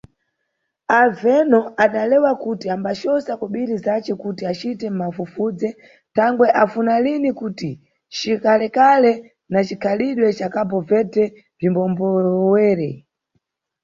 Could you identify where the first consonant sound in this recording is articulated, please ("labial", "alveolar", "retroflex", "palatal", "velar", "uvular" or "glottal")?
labial